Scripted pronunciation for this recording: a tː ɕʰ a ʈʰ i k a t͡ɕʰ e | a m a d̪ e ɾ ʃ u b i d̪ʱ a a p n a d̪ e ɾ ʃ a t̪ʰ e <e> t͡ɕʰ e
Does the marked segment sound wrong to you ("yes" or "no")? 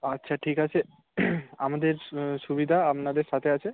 yes